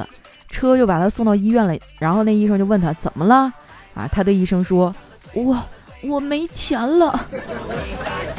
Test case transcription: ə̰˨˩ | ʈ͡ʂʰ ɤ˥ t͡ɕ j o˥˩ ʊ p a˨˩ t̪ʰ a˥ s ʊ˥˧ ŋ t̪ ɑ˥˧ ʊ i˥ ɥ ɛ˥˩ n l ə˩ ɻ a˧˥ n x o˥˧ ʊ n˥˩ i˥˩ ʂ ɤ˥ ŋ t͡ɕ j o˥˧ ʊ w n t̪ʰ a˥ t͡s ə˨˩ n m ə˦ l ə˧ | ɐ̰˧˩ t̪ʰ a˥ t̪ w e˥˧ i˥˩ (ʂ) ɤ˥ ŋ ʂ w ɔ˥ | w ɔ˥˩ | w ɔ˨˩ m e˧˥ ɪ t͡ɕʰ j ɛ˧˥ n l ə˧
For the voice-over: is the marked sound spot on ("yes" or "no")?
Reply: yes